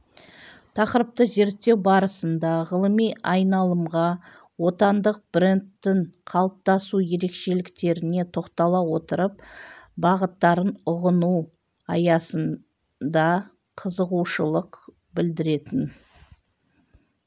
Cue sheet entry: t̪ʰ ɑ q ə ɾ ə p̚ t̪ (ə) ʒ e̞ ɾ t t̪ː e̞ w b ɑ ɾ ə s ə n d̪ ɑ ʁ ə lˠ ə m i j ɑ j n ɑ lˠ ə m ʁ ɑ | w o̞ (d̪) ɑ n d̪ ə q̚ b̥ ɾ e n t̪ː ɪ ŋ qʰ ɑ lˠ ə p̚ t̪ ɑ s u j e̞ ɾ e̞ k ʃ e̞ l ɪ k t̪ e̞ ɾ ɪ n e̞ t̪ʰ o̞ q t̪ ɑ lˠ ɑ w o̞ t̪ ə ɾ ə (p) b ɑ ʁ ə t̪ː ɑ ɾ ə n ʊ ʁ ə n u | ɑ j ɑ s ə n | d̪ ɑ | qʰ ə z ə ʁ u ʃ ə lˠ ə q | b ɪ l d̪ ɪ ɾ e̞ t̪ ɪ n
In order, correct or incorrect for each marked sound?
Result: correct, incorrect: t̪, correct

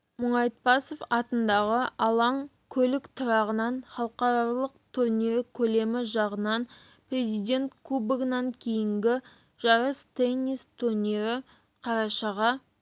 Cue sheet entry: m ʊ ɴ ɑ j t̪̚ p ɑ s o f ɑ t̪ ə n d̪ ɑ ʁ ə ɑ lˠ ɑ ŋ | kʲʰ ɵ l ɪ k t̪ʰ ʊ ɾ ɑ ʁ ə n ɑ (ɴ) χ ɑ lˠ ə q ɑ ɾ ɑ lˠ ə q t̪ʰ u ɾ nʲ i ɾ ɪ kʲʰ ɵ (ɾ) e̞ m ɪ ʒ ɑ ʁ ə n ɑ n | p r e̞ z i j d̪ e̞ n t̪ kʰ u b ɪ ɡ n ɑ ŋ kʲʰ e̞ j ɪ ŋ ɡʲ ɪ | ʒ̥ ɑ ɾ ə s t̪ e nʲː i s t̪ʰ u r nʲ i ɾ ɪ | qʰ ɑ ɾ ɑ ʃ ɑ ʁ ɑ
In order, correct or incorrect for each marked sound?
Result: incorrect: n, incorrect: l

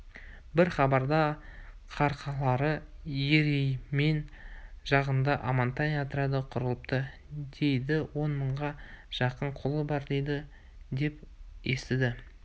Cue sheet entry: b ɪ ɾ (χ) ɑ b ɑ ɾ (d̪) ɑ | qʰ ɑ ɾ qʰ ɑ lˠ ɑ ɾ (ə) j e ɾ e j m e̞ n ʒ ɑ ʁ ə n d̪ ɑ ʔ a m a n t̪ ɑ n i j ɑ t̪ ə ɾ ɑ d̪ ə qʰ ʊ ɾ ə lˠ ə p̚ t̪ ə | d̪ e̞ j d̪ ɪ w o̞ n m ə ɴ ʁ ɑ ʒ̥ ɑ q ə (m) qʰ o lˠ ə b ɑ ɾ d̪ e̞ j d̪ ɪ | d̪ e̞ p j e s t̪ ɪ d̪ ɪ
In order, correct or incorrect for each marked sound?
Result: correct, correct, correct, incorrect: ɴ

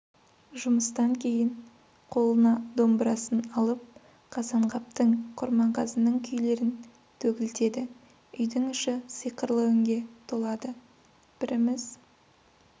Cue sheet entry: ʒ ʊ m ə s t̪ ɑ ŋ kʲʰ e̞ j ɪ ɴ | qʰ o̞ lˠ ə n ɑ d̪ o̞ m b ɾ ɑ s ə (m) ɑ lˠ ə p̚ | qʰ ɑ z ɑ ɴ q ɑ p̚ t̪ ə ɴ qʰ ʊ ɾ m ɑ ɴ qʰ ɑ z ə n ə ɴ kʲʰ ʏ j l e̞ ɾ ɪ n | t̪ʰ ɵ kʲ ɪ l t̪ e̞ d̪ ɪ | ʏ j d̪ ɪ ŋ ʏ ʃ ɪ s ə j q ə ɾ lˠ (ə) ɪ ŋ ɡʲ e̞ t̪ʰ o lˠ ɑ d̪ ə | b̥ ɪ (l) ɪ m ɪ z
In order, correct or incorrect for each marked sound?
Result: incorrect: n, correct, incorrect: ɾ

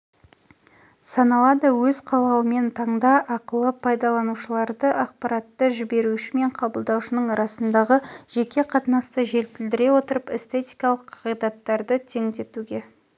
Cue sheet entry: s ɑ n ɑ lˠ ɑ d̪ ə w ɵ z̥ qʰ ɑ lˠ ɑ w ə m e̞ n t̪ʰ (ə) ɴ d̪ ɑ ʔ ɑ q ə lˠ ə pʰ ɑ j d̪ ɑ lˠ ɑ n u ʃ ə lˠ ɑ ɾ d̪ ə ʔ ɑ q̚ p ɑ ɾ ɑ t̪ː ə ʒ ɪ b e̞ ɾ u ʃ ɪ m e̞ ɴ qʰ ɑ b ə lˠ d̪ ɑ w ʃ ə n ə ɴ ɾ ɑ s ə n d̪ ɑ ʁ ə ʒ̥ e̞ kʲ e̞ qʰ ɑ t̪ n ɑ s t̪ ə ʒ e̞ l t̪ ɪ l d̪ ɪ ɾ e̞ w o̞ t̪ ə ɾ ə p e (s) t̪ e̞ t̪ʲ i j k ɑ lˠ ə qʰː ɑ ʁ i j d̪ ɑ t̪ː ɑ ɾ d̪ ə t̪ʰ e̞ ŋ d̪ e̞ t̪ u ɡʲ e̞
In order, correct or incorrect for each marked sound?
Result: incorrect: ɑ, correct

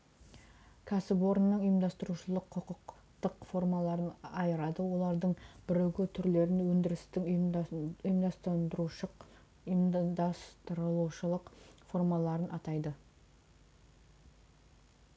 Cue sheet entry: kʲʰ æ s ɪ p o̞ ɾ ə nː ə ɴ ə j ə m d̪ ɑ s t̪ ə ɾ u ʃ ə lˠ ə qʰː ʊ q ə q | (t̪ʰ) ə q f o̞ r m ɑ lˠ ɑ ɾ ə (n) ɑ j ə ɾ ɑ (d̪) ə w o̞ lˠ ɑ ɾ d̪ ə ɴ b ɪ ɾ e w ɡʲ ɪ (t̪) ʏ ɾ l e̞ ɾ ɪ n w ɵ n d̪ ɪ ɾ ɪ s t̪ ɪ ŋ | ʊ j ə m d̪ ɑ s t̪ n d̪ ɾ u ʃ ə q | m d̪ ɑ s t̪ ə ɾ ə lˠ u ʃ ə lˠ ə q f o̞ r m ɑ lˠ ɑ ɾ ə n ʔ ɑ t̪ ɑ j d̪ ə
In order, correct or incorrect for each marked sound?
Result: incorrect: t̪, correct, correct, incorrect: t̪ʰ

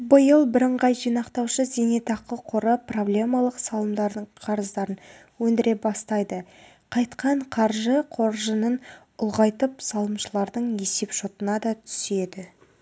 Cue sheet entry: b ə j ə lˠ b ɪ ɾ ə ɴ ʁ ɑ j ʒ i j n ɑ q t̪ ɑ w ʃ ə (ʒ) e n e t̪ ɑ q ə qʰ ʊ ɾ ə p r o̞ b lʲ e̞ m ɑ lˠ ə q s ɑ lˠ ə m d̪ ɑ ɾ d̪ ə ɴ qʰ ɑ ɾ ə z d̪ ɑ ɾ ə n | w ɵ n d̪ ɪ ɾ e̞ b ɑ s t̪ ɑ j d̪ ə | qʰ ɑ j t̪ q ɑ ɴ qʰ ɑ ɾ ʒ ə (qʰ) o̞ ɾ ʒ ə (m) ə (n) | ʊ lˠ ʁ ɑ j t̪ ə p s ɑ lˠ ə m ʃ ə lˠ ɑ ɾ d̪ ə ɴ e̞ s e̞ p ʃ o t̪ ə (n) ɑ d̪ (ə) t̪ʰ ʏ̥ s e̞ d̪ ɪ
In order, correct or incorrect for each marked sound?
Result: incorrect: z, correct, incorrect: n, correct, correct, incorrect: ɑ

